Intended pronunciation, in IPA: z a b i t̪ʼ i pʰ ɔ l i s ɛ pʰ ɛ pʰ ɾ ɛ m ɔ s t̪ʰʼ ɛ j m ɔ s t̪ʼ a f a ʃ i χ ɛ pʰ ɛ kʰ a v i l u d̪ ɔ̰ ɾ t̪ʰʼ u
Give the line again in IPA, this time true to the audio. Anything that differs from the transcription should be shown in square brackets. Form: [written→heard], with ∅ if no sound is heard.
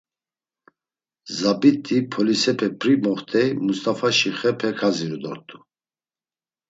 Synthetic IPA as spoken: z a b i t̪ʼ i pʰ ɔ l i s ɛ pʰ ɛ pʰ ɾ [ɛ→i] m ɔ [s→χ] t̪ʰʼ ɛ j m [ɔ→u] s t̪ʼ a f a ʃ i χ ɛ pʰ ɛ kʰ a [v→z] i [l→ɾ] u d̪ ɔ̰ ɾ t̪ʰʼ u